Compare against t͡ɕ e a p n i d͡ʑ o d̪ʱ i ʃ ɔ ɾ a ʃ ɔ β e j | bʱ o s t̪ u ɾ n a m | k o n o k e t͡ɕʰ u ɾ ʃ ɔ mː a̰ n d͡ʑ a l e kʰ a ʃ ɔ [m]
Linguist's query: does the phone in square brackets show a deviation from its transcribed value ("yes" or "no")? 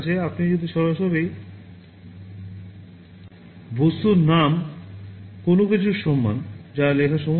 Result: no